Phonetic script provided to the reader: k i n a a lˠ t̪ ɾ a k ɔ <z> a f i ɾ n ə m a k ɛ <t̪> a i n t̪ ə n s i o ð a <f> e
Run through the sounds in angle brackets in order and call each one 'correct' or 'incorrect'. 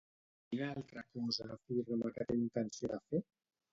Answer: correct, correct, correct

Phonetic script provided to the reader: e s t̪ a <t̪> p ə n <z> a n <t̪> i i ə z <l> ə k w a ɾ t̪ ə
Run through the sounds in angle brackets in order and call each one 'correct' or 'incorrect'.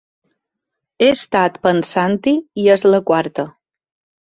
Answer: correct, incorrect: s, correct, correct

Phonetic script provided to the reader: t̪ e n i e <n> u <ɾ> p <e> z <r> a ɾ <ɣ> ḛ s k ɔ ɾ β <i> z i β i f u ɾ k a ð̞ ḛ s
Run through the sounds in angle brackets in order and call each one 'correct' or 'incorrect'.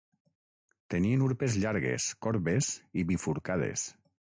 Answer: correct, correct, correct, incorrect: ʎ, correct, incorrect: e

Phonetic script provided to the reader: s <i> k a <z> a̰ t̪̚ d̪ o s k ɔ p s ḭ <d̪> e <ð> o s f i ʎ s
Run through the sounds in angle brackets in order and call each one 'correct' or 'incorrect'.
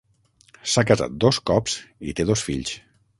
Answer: incorrect: a, correct, incorrect: t̪, correct

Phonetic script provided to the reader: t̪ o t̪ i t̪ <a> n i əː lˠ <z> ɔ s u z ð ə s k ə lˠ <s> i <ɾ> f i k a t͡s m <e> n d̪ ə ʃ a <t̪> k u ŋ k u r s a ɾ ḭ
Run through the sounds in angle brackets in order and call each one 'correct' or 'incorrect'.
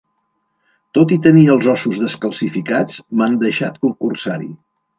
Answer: incorrect: ə, correct, correct, incorrect: none, incorrect: a, correct

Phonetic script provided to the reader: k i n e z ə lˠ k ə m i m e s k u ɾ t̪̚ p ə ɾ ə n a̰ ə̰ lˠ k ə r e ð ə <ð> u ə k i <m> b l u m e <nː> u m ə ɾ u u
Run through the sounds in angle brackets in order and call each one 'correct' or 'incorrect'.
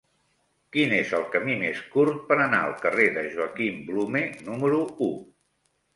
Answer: incorrect: ʒ, correct, incorrect: n

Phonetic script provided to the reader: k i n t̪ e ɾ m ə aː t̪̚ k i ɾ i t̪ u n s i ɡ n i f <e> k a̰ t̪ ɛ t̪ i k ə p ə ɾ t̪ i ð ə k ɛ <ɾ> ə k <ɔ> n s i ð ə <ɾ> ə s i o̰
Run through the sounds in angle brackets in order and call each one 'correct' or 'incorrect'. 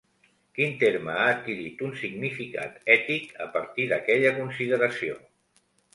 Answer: incorrect: i, incorrect: ʎ, incorrect: u, correct

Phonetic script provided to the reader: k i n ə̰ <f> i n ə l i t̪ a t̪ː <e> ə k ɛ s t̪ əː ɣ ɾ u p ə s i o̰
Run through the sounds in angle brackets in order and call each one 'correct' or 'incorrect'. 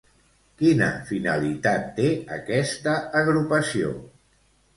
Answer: correct, correct

